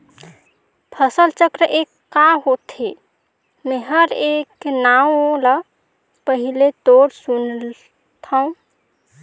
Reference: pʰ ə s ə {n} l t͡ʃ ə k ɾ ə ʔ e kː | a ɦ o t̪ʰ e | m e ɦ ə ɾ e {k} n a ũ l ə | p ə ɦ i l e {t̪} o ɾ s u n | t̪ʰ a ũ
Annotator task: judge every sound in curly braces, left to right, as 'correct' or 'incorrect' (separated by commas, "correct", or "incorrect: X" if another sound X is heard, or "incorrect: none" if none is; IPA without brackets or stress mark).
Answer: incorrect: none, correct, correct